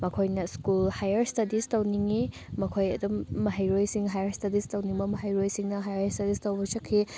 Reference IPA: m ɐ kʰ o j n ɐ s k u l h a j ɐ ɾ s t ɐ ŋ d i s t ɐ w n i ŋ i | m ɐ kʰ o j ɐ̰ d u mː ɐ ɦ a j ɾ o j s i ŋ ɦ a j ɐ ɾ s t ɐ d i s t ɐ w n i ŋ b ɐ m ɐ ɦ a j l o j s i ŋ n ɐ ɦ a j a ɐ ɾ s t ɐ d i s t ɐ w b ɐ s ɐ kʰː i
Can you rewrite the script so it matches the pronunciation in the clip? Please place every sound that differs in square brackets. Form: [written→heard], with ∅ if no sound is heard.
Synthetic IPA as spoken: m ɐ kʰ o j n ɐ s k u l h a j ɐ ɾ s t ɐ [ŋ→∅] d i s t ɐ w n i ŋ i | m ɐ kʰ o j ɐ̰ d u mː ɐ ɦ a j ɾ o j s i ŋ ɦ a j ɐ ɾ s t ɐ d i s t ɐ w n i ŋ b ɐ m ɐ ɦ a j [l→ɾ] o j s i ŋ n ɐ ɦ a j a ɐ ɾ s t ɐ d i s t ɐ w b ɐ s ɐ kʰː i